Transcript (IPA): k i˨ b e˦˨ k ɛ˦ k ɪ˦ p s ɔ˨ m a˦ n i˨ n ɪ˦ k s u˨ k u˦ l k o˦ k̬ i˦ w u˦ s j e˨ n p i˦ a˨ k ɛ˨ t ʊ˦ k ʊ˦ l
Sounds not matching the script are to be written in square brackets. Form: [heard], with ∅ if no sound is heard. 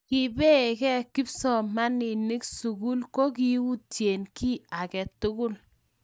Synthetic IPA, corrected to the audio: k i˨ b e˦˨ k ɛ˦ k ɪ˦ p s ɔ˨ m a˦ n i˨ n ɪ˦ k s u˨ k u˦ l k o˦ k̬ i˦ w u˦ [t] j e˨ n [k] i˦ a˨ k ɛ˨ t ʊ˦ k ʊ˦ l